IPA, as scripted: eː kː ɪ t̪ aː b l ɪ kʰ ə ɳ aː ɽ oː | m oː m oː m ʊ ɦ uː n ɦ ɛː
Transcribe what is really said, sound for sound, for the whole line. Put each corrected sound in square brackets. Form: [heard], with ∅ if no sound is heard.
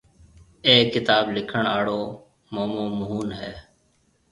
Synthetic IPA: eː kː ɪ t̪ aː b l ɪ kʰ ə ɳ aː ɽ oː | m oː m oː m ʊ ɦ uː n ɦ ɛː

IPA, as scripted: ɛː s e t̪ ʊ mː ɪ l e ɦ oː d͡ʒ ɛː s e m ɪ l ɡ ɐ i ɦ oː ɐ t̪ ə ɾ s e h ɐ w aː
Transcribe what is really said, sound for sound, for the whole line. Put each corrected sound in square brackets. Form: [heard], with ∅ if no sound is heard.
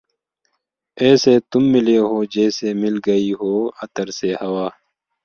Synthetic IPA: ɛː s e t̪ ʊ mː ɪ l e ɦ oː d͡ʒ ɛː s e m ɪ l ɡ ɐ i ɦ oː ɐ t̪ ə ɾ s e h ɐ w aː

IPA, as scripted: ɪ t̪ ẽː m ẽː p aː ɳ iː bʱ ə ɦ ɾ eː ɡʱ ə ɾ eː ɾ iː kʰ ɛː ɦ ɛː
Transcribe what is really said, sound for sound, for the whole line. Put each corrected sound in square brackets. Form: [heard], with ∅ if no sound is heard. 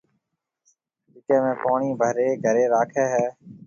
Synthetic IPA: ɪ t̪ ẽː m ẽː p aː ɳ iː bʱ ə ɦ ɾ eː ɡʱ ə ɾ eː ɾ [aː] kʰ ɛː ɦ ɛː

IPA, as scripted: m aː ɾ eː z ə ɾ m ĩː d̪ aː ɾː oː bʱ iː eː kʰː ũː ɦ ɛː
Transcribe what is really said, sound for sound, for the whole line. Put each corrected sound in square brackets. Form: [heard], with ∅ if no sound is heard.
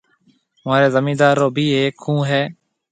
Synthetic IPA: m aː ɾ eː z ə [∅] m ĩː d̪ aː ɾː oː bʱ iː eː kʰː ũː ɦ ɛː

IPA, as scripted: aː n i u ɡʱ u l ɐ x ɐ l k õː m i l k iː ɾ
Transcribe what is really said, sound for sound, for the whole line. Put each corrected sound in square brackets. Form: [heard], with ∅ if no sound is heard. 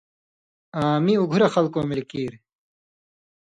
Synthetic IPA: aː [m] i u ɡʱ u [ɾ] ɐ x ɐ l k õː m i l k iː ɾ

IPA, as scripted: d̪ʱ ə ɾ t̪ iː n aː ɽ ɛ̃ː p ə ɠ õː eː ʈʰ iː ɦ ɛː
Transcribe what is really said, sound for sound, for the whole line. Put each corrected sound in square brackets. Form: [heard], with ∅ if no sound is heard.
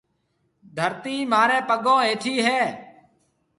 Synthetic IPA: d̪ʱ ə ɾ t̪ iː [m] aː [ɾ] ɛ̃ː p ə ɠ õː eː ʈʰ iː ɦ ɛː

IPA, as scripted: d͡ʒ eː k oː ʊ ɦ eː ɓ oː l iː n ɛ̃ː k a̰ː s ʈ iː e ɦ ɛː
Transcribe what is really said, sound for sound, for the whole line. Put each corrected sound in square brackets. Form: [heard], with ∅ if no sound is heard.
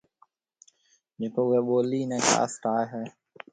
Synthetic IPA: d͡ʒ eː k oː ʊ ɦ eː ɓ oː l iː n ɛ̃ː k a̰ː s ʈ [aː] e ɦ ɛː

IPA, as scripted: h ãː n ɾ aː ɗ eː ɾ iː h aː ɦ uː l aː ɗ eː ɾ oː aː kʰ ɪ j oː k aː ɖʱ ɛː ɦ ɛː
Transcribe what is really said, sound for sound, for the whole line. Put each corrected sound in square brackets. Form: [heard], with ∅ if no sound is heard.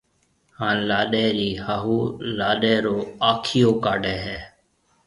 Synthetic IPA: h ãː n [l] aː ɗ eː ɾ iː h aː ɦ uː l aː ɗ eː ɾ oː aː kʰ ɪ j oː k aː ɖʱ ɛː ɦ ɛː

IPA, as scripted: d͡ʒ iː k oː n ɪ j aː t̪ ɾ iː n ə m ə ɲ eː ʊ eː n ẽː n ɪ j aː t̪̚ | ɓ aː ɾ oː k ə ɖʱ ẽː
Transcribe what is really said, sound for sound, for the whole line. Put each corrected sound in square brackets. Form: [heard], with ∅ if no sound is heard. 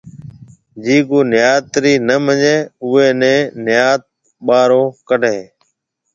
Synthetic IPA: d͡ʒ iː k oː n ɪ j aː t̪ ɾ iː n ə m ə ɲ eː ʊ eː n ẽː n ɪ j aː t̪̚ | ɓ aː ɾ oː k ə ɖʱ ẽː

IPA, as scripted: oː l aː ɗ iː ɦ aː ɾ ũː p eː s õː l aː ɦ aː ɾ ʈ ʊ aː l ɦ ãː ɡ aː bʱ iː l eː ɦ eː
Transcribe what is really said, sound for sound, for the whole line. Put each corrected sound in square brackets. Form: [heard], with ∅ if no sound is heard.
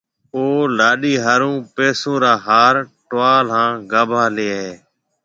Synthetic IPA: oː l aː ɗ iː ɦ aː ɾ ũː p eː s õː [ɾ] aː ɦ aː ɾ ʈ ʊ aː l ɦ ãː ɡ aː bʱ [aː] l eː ɦ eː

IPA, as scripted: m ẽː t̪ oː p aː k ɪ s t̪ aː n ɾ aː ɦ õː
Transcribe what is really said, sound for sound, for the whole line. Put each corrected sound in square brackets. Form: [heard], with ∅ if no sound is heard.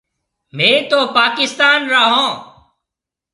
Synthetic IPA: m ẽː t̪ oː p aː k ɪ s t̪ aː n ɾ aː ɦ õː

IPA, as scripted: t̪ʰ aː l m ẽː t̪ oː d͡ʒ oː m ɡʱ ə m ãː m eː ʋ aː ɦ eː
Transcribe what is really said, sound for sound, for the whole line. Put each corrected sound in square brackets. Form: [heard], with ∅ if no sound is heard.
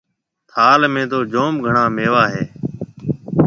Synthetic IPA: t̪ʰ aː l m ẽː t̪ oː d͡ʒ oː m ɡʱ ə [ɳ] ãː m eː ʋ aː ɦ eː

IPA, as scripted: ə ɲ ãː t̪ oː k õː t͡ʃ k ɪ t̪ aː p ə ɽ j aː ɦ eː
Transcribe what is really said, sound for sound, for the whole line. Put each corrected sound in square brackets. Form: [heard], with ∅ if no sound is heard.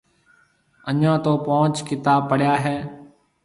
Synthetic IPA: ə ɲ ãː t̪ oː [p] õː t͡ʃ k ɪ t̪ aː p ə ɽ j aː ɦ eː

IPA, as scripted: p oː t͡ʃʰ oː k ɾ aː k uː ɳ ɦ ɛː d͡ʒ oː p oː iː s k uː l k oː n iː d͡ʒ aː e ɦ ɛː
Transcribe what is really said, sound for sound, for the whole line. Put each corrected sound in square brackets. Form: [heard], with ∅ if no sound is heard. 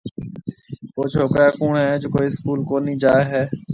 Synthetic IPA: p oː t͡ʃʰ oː k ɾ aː k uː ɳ ɦ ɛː d͡ʒ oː [k] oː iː s k uː l k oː n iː d͡ʒ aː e ɦ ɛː

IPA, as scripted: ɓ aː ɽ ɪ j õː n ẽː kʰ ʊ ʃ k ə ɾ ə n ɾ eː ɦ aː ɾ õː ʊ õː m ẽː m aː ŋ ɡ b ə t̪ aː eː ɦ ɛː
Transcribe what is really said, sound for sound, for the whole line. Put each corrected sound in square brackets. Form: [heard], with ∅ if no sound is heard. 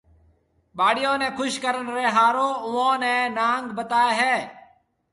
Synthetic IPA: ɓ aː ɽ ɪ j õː n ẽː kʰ ʊ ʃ k ə ɾ ə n ɾ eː ɦ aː ɾ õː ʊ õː [n] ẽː [n] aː ŋ ɡ b ə t̪ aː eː ɦ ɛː

